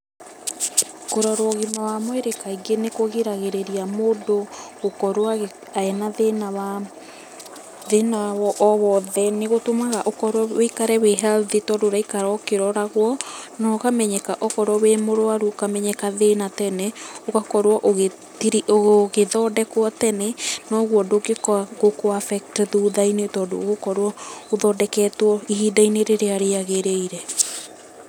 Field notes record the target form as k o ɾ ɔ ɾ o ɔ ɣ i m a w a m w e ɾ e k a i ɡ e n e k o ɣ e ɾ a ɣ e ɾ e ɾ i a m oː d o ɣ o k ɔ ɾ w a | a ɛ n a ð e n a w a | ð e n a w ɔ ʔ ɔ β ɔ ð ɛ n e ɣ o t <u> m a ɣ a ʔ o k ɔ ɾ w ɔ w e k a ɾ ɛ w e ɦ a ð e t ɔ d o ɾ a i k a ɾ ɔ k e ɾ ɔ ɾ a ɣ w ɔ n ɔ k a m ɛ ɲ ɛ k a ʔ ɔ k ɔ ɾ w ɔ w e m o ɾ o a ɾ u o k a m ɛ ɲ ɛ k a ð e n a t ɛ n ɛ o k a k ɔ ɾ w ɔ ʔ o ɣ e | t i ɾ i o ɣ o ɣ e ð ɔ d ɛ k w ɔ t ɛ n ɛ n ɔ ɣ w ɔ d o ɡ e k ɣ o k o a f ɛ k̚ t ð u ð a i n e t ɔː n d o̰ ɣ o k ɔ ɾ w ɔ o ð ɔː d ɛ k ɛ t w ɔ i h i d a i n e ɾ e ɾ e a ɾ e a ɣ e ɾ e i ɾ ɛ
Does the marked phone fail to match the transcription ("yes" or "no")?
yes